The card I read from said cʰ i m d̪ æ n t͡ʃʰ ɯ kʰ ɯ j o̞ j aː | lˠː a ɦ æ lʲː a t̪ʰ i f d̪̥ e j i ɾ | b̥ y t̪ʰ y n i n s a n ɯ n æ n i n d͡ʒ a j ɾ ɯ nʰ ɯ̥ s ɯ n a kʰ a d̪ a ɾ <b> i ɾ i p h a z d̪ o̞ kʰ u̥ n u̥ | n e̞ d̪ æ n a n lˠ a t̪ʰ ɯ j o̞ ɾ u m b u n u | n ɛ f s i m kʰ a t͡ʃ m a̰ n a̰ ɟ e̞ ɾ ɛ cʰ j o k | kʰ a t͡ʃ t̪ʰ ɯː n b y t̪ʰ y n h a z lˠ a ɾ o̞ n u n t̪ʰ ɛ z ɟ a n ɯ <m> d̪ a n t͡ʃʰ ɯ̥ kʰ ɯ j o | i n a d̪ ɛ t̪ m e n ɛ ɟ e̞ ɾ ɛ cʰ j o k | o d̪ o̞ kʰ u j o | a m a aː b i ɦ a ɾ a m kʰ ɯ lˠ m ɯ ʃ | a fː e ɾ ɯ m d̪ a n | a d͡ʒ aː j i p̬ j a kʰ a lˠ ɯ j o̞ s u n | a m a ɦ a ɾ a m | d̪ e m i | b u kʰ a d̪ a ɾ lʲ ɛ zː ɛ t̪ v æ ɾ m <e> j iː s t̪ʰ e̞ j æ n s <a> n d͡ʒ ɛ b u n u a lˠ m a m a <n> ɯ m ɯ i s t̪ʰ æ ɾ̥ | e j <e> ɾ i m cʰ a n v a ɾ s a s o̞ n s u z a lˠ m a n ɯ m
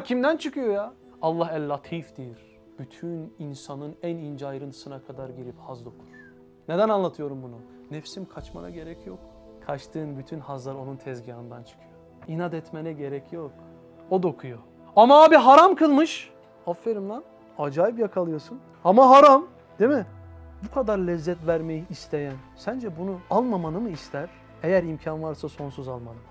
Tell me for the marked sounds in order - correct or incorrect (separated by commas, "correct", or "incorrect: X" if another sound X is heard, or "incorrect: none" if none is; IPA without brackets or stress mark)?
incorrect: ɟ, incorrect: n, correct, incorrect: æ, correct, incorrect: æ